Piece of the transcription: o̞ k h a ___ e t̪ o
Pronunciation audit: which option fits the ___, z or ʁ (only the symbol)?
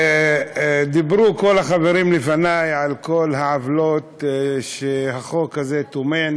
z